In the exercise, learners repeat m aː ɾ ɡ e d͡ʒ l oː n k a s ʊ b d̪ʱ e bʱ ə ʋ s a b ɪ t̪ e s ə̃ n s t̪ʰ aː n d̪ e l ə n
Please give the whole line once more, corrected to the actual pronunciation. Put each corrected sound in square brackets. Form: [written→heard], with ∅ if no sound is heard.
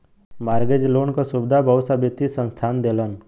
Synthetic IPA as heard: m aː ɾ ɡ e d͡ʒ l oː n k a s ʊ b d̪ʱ [e→a] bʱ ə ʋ s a b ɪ t̪ [e→i] s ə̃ n s t̪ʰ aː n d̪ e l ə n

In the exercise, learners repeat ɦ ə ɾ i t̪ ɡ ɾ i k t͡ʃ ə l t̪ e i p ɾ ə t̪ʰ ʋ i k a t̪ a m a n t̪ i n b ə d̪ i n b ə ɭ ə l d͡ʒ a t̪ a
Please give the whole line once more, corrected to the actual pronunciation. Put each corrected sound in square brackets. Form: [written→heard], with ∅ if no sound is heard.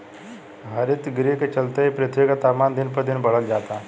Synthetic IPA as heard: ɦ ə ɾ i t̪ ɡ ɾ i k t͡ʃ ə l t̪ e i p ɾ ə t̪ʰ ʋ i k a t̪ a m a n [t̪→d̪] i n [b→p] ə d̪ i n b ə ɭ ə l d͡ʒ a t̪ a

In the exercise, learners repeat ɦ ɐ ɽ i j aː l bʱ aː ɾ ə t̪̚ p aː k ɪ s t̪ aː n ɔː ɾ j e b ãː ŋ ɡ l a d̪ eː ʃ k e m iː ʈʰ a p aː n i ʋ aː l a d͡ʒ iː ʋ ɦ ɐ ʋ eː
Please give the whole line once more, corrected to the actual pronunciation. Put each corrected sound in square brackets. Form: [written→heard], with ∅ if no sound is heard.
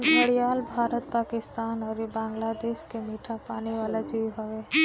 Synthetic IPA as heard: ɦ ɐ ɽ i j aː l bʱ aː ɾ ə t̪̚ p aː k ɪ s t̪ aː n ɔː ɾ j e b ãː ŋ ɡ l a d̪ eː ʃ k e m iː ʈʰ a p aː n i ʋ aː l a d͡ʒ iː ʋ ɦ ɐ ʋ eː

